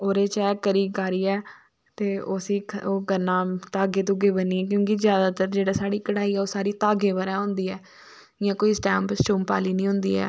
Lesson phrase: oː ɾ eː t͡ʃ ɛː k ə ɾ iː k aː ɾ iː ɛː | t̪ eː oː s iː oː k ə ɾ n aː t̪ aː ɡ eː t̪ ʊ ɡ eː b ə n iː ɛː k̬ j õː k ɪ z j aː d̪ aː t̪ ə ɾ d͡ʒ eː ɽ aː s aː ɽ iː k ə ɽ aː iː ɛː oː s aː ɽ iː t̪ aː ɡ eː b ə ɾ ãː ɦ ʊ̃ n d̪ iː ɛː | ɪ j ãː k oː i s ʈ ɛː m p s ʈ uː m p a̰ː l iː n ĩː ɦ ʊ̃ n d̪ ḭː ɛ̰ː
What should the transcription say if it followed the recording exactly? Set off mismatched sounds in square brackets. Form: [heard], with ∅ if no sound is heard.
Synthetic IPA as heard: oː ɾ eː t͡ʃ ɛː k ə ɾ iː k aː ɾ iː ɛː | t̪ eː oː s iː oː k ə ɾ n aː t̪ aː ɡ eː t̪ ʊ ɡ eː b ə n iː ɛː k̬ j õː k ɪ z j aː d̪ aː t̪ ə ɾ d͡ʒ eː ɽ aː s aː ɽ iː k ə ɽ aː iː ɛː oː s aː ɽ iː t̪ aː ɡ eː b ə ɾ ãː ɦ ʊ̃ n d̪ iː ɛː | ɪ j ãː k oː i s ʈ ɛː m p s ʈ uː m p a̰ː l iː n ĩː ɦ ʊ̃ n d̪ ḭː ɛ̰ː